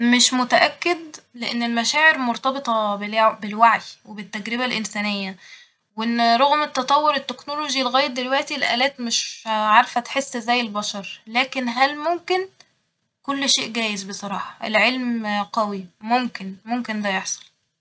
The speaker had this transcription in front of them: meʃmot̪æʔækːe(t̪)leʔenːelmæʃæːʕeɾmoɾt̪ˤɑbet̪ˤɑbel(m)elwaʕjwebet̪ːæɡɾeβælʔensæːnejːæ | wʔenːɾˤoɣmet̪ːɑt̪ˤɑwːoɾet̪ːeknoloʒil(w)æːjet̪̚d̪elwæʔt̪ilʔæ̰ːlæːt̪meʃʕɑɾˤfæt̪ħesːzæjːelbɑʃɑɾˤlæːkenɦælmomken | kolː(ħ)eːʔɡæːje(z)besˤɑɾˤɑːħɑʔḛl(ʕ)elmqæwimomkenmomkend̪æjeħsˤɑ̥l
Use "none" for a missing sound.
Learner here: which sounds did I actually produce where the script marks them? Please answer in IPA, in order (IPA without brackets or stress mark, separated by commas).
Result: d̪, b, ɣ, ʃ, z, ʕ